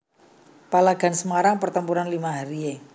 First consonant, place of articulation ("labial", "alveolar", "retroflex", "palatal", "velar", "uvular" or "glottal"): labial